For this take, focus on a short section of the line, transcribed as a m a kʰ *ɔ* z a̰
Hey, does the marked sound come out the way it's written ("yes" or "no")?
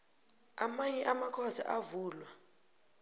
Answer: yes